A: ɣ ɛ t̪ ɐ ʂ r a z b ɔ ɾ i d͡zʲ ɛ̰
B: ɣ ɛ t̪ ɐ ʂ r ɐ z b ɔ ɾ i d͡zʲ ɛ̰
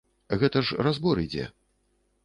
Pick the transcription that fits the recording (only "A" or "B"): A